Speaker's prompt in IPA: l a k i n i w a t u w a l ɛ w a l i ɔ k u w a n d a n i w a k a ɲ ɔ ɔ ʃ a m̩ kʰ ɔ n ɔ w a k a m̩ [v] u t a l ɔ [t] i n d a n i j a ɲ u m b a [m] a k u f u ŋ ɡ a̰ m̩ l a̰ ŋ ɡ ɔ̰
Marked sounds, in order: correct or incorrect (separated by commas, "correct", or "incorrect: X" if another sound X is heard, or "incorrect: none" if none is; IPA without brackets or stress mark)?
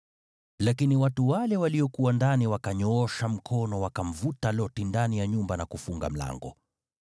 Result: correct, correct, incorrect: n